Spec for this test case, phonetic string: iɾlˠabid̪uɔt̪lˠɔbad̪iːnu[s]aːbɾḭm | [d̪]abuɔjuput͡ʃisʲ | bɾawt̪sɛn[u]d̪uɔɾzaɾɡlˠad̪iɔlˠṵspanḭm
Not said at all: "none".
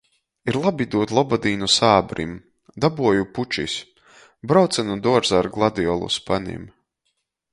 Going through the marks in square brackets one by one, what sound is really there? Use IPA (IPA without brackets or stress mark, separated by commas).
s, d̪, u